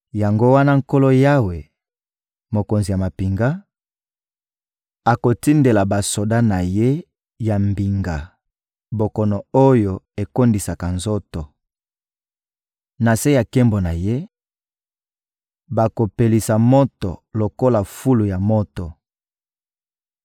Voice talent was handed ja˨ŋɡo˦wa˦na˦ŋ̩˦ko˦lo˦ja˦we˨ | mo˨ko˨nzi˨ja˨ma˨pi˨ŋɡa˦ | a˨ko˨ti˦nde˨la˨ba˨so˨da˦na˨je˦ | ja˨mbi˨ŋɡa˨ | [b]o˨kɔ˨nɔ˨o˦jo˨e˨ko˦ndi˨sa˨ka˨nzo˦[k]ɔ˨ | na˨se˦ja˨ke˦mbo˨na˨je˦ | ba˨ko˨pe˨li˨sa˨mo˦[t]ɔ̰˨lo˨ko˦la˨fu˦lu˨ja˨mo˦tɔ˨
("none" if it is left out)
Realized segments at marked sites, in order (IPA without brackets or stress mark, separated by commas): b, t, t